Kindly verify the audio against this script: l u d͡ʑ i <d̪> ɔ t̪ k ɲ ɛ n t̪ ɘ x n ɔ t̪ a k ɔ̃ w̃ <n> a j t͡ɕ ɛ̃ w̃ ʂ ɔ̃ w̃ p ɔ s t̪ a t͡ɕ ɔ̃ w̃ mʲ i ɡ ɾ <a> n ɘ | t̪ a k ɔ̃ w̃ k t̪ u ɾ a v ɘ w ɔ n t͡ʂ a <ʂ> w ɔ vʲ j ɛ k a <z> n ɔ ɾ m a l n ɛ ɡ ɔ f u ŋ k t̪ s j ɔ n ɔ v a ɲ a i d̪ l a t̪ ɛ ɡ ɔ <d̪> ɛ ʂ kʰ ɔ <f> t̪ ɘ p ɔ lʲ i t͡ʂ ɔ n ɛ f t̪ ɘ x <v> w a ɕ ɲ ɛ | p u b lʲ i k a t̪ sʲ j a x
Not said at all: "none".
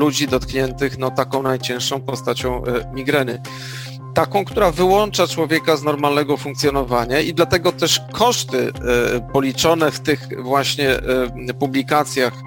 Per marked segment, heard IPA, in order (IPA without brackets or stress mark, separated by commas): d̪, n, ɛ, t͡ʂ, z, t̪, ʂ, v